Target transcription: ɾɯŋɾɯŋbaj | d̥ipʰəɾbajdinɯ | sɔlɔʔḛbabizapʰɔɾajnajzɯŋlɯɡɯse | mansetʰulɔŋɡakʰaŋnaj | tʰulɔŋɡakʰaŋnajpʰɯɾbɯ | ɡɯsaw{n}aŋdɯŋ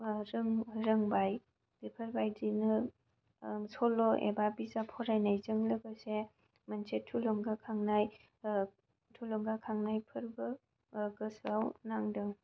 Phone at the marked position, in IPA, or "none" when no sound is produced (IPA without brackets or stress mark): n